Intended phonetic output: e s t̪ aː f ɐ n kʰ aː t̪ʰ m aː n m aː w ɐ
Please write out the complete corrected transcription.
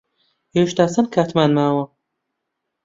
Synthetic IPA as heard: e ʃ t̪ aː s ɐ n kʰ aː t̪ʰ m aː n m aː w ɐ